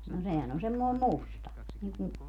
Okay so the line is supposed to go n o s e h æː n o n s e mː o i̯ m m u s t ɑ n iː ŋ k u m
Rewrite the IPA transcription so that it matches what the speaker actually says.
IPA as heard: n o s e h æ n o n s e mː o i̯ m m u s t ɑ n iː ŋ k u m